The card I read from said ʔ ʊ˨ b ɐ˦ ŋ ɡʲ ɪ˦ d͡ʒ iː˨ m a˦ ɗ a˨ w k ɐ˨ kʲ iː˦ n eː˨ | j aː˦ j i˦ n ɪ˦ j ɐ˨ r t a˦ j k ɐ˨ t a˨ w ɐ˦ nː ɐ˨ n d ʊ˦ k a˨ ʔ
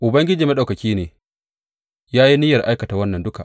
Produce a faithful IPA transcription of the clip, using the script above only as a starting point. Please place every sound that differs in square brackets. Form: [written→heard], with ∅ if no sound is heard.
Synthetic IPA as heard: ʔ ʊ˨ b ɐ˦ ŋ ɡʲ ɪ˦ d͡ʒ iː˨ m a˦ ɗ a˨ w k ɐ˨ kʲ iː˦ n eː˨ | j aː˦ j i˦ n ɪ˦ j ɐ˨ r [t→ʔ] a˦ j k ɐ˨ t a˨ w ɐ˦ nː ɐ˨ n d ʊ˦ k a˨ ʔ